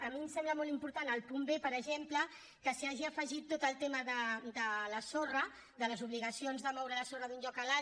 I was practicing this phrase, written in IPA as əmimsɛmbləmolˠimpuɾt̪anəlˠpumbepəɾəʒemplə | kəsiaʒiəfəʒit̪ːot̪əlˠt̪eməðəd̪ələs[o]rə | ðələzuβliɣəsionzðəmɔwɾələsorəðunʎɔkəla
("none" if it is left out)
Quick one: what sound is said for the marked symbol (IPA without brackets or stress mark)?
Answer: o